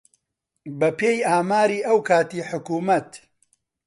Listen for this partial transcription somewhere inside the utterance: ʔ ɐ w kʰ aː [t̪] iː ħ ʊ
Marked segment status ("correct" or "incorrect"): correct